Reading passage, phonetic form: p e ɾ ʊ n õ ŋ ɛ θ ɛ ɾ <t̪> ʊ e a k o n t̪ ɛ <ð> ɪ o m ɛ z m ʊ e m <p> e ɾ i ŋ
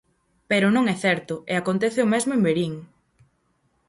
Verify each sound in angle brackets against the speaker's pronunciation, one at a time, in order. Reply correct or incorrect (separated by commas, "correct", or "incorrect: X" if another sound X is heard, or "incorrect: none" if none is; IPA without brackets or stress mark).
correct, incorrect: θ, incorrect: b